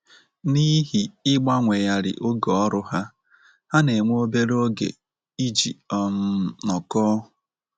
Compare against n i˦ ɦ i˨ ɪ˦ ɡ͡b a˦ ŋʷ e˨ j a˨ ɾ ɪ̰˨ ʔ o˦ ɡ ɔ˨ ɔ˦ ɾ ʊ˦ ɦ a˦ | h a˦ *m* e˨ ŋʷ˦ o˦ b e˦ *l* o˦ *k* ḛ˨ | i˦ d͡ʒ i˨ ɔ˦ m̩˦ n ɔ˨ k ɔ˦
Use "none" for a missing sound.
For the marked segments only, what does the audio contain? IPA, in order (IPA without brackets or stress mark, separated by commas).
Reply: n, ɾ, ɡ